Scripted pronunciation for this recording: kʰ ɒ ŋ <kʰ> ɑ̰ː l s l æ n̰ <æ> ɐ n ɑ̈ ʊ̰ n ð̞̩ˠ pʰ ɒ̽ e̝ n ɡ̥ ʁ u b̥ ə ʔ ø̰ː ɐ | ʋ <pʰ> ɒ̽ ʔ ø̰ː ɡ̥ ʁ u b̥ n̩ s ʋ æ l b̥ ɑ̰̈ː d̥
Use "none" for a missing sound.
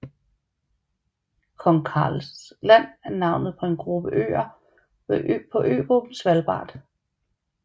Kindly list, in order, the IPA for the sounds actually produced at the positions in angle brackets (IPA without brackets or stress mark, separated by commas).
kʰ, æ, pʰ